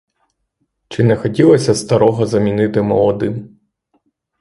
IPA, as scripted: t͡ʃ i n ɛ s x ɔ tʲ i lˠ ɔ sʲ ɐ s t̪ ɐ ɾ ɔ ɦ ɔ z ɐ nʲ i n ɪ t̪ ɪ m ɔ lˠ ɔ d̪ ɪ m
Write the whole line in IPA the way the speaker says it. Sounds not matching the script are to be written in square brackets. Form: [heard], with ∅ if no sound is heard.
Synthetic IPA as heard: t͡ʃ [ɪ] n ɛ [∅] x ɔ tʲ i lˠ ɔ sʲ ɐ s t̪ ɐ ɾ ɔ ɦ ɔ z ɐ [mʲ] i n ɪ t̪ ɪ m ɔ lˠ ɔ d̪ ɪ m